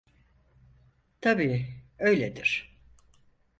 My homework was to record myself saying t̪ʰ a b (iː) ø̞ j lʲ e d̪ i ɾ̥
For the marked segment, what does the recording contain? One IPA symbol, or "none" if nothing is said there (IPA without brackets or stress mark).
iː